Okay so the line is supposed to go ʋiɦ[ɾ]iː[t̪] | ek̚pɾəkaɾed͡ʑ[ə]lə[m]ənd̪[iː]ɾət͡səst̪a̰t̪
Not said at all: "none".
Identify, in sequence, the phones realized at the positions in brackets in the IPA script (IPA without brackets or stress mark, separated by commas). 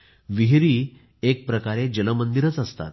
ɾ, none, ə, m, i